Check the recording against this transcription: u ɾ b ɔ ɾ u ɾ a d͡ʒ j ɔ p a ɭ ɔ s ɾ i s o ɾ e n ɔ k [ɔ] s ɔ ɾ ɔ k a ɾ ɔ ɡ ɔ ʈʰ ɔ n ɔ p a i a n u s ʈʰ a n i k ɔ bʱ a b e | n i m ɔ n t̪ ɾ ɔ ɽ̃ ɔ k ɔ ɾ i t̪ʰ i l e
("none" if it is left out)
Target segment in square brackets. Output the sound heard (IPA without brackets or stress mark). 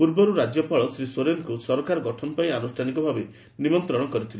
u